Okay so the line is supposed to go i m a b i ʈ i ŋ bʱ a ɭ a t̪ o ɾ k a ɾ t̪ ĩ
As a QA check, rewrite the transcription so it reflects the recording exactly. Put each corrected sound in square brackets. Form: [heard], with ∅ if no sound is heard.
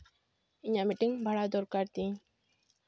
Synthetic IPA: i [ɲ] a [m] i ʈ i ŋ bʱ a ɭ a [d̪] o ɾ k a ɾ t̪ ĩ